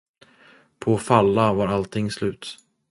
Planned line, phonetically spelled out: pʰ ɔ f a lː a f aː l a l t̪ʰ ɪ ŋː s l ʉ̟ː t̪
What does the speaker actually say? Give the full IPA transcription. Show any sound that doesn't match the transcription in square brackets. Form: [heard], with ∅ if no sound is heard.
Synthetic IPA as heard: pʰ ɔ f a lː a [v] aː [ɾ] a l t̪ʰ ɪ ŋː s l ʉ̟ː t̪

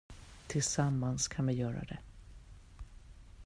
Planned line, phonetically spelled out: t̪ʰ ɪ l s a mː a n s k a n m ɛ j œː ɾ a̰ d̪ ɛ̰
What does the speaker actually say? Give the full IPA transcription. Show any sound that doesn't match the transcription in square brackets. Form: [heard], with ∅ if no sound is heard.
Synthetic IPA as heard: t̪ʰ ɪ l s a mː a n s [kʰ] a n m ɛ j œː ɾ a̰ d̪ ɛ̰

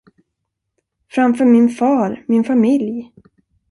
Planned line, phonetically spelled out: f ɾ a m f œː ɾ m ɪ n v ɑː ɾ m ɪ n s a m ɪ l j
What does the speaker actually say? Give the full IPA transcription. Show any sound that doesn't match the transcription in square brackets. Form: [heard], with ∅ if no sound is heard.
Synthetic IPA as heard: f ɾ a m f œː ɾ m ɪ n [f] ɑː ɾ m ɪ n [f] a m ɪ l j

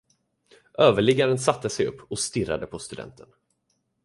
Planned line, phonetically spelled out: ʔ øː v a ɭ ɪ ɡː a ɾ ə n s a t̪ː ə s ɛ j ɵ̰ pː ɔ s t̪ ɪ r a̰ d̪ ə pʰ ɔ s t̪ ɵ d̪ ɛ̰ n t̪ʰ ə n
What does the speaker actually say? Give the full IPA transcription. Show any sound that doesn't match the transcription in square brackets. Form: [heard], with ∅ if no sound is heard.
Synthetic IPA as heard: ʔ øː v [ə] ɭ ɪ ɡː a ɾ ə n s a t̪ː ə s ɛ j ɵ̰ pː ɔ s t̪ ɪ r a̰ d̪ ə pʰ ɔ s t̪ ɵ d̪ ɛ̰ n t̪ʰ ə n

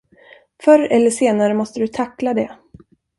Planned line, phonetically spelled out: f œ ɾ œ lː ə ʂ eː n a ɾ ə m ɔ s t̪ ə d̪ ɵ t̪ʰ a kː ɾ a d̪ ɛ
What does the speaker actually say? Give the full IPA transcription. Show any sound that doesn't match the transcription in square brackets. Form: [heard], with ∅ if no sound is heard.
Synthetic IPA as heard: f œ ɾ [ɛ] lː ə ʂ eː n a ɾ ə m ɔ s t̪ ə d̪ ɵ t̪ʰ a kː [l] a d̪ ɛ

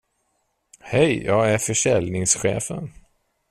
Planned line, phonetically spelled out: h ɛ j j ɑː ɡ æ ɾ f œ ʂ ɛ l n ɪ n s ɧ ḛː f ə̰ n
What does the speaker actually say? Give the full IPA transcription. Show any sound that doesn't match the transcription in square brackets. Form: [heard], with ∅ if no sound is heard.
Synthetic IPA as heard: h ɛ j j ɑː ɡ æ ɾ f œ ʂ ɛ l n ɪ [ŋ] s ɧ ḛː f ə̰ n

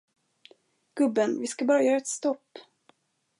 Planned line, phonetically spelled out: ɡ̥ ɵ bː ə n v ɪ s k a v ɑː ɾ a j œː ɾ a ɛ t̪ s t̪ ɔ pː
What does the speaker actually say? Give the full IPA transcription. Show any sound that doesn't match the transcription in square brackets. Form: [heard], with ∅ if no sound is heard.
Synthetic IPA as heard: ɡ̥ ɵ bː ə n v ɪ s k a [b] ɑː ɾ a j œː ɾ a ɛ t̪ s t̪ ɔ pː

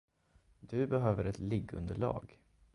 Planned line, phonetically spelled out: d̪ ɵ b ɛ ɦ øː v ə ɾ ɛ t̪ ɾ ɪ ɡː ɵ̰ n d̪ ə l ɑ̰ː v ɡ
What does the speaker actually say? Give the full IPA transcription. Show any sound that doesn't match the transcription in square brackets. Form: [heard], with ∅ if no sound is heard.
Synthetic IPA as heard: d̪ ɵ b ɛ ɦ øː v ə ɾ ɛ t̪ [l] ɪ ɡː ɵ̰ n d̪ ə [ɭ] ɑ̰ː [∅] ɡ

